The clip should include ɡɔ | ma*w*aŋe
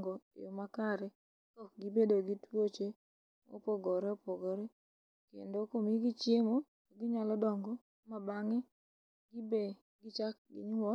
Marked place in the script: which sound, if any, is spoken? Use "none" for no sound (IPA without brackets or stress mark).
b